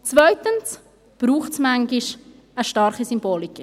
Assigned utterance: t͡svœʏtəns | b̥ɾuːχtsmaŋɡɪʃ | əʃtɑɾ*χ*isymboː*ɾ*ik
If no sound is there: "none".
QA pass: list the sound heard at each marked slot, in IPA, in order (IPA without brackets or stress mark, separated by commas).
χ, l